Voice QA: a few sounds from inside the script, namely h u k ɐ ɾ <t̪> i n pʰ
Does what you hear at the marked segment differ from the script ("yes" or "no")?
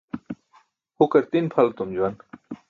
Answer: no